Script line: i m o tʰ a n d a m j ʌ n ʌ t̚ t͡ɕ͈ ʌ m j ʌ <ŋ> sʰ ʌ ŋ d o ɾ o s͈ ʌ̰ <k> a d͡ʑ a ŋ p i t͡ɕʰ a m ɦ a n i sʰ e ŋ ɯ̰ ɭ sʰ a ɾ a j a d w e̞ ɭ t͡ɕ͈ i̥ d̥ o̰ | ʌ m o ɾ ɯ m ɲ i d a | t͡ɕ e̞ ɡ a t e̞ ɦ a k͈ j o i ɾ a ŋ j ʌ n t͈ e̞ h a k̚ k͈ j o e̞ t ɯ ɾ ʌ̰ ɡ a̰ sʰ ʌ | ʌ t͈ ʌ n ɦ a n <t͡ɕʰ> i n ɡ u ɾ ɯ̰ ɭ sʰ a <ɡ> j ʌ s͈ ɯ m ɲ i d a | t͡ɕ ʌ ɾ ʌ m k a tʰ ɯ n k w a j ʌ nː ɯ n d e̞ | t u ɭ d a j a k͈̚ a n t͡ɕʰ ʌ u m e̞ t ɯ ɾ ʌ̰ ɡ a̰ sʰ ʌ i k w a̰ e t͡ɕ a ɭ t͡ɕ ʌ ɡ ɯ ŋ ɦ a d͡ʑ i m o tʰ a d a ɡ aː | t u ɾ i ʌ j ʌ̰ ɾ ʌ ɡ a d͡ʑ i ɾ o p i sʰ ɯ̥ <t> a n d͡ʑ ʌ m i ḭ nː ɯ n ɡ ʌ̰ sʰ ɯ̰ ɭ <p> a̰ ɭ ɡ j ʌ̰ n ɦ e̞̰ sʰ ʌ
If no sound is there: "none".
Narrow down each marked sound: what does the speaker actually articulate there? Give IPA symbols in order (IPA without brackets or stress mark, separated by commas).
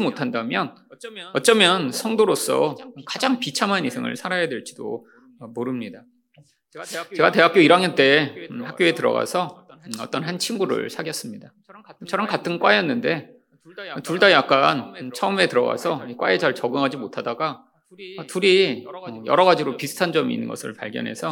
n, k, t͡ɕʰ, ɡ, tʰ, p